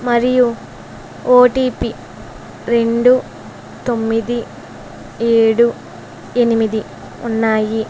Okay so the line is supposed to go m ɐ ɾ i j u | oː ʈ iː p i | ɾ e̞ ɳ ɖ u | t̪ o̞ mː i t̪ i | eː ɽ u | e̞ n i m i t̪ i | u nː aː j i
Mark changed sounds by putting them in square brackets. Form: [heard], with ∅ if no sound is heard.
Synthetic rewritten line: m ɐ ɾ i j u | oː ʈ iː p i | ɾ e̞ ɳ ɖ u | t̪ o̞ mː i [d̪] i | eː ɽ u | e̞ n i m i [d̪] i | u nː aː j i